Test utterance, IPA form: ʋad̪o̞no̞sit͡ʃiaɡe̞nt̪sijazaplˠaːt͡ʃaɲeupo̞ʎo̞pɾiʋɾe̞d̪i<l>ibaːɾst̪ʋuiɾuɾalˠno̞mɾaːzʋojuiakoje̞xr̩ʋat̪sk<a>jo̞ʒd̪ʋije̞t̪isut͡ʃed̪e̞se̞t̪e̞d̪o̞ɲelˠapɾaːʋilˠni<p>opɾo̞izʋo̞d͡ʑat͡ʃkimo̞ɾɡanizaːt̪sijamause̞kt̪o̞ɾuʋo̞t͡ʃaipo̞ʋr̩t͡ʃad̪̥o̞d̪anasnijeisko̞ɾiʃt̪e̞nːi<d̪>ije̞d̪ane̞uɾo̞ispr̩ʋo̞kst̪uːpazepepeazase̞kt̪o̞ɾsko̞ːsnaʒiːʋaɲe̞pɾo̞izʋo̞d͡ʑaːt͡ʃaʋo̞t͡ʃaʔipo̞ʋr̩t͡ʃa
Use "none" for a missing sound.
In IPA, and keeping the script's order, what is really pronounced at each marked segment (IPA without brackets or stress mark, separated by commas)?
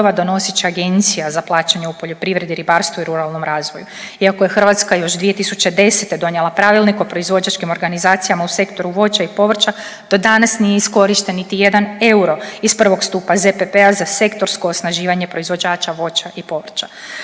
ɾ, a, k, t̪